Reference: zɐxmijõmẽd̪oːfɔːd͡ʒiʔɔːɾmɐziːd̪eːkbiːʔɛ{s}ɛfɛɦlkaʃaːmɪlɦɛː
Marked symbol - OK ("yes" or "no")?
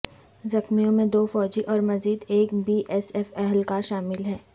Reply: yes